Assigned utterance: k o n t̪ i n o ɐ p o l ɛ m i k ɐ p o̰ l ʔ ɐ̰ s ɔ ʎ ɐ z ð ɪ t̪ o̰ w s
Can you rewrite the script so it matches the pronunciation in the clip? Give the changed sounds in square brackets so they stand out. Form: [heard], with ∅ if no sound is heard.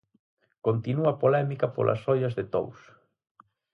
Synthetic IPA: k o n t̪ i n [u] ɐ p o l ɛ m i k ɐ p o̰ l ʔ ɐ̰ s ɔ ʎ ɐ z ð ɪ t̪ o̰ w s